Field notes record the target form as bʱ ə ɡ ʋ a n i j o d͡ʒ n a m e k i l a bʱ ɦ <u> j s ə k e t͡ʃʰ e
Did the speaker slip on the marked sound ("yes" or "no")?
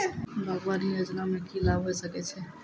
yes